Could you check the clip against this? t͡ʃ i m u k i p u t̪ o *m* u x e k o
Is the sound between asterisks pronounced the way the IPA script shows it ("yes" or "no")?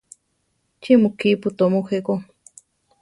yes